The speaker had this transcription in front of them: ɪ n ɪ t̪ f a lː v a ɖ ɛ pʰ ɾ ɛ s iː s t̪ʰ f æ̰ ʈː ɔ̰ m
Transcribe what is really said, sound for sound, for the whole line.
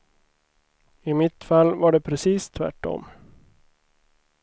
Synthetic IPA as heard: ɪ m ɪ t̪ f a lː v a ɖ ɛ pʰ ɾ ɛ s iː s t̪ʰ v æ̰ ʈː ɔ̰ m